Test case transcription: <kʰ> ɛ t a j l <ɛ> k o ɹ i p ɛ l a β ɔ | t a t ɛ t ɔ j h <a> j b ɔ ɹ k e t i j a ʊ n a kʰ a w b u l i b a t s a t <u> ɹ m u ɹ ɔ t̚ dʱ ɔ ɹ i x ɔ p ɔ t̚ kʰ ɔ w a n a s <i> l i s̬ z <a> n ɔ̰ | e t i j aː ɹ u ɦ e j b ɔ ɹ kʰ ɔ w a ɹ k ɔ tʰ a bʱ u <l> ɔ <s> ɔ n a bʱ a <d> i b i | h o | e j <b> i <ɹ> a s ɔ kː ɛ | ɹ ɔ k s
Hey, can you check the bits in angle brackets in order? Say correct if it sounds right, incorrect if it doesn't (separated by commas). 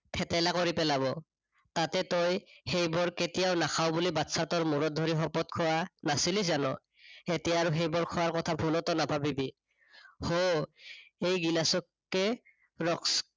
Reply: incorrect, incorrect, incorrect, incorrect, correct, correct, correct, incorrect, incorrect, incorrect, incorrect